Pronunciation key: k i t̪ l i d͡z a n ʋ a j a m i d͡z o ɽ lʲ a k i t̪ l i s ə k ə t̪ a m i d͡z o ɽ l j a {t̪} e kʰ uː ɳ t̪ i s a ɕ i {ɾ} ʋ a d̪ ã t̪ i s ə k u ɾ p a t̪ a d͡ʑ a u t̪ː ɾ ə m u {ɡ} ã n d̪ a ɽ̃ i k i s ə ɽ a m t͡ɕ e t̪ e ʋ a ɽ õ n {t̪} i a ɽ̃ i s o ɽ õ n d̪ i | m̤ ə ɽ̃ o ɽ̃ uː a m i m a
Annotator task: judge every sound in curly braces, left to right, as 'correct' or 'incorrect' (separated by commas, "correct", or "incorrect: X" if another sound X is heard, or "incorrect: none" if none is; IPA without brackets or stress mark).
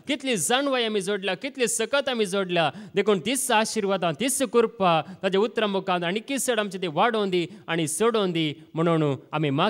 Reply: incorrect: d̪, correct, incorrect: k, incorrect: d̪